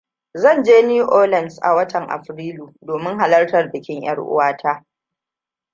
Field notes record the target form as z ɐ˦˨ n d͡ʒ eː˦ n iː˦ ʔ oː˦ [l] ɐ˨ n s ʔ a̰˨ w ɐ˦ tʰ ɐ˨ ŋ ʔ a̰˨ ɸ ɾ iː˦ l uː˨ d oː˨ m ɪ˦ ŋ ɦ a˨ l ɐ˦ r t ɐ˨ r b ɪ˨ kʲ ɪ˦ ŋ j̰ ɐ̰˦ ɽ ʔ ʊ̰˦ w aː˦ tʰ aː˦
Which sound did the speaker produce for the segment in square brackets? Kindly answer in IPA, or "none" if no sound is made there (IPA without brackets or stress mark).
l